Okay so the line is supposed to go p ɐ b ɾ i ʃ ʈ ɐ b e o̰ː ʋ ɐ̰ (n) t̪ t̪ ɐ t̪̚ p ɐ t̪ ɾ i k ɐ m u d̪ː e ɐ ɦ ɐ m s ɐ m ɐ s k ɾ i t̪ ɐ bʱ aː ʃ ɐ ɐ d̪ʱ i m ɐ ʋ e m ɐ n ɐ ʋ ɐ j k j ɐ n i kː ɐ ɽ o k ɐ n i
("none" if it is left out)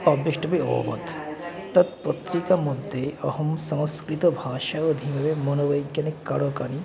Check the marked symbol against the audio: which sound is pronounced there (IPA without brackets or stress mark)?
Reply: none